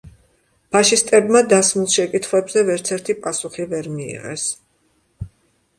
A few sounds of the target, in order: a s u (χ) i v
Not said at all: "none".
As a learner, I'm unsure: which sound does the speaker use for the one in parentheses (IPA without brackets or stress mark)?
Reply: χ